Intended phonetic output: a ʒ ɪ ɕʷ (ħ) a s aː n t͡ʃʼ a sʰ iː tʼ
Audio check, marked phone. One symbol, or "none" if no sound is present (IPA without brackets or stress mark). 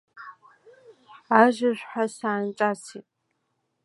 ħ